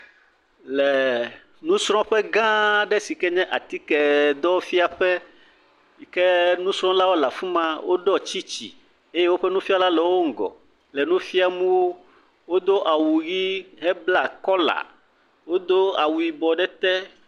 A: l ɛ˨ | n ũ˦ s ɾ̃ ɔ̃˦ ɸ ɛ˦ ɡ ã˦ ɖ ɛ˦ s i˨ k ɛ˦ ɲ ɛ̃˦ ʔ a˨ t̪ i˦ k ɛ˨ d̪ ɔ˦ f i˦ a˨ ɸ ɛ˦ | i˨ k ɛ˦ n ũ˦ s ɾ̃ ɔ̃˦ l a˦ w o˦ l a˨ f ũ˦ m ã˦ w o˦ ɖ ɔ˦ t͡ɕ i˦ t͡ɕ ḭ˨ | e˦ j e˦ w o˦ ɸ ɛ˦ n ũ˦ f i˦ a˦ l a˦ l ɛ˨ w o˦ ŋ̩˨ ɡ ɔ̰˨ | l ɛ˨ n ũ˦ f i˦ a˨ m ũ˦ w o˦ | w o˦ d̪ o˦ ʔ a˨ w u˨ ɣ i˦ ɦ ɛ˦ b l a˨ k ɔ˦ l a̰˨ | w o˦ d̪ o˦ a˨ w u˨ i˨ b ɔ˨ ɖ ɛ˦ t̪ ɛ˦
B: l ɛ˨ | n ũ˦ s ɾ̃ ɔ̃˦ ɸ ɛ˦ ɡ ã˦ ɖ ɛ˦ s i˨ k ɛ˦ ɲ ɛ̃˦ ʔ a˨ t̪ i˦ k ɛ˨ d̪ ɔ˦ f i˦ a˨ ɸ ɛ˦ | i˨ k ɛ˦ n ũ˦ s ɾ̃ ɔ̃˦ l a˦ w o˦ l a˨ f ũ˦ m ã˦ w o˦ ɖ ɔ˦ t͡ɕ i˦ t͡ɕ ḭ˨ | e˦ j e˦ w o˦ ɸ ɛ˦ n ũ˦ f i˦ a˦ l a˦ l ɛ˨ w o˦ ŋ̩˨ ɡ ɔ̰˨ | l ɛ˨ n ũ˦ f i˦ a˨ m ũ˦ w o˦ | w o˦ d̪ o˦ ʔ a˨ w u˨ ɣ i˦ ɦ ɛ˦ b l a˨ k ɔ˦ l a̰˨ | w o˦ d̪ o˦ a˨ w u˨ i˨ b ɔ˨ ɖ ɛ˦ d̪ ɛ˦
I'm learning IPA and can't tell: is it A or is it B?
A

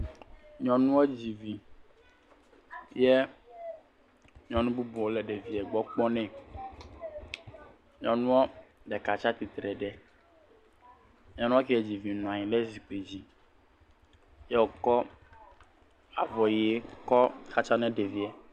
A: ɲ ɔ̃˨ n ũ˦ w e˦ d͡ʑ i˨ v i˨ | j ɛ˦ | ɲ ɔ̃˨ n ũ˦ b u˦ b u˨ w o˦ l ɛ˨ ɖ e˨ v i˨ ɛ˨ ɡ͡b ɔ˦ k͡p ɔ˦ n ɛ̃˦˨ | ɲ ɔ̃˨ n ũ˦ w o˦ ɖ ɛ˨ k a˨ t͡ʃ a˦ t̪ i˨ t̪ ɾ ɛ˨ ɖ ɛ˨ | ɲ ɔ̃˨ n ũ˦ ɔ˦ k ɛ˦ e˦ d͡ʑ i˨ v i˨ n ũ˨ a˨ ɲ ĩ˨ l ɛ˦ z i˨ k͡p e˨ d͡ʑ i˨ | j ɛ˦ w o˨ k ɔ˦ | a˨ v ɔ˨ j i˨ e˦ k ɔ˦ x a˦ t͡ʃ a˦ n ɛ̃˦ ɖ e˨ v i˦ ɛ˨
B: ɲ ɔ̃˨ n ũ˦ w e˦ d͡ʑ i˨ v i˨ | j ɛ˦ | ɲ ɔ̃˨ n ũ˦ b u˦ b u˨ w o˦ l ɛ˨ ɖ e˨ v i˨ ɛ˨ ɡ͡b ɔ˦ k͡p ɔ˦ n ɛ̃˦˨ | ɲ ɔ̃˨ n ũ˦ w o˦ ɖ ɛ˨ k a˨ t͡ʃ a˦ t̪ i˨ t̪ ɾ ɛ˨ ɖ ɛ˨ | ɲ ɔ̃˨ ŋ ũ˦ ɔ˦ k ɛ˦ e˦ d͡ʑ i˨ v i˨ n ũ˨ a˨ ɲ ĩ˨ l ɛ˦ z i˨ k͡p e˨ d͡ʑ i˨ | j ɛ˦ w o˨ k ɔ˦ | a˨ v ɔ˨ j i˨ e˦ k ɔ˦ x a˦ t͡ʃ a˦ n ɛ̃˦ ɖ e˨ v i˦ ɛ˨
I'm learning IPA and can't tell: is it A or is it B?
A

